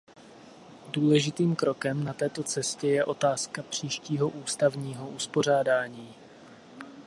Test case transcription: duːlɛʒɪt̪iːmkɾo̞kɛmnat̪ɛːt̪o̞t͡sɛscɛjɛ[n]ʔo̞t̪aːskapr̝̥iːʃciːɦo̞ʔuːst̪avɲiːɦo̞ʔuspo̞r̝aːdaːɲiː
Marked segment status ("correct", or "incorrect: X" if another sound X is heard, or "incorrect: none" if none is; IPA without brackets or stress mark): incorrect: none